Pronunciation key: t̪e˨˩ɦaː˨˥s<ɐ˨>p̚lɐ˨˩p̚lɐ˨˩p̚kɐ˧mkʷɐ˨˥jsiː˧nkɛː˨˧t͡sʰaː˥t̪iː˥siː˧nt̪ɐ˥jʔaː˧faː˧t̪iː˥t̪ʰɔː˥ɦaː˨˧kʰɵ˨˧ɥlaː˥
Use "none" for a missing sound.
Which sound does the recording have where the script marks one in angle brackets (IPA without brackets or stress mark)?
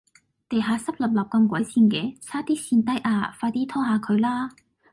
ɐ˥